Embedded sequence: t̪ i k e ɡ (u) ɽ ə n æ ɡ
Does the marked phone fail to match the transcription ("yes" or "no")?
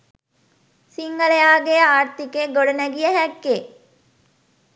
yes